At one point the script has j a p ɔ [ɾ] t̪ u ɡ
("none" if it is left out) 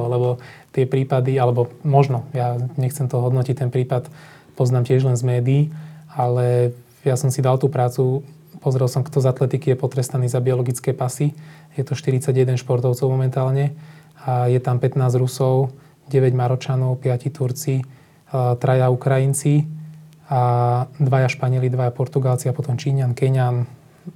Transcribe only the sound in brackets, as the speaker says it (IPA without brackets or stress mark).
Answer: ɾ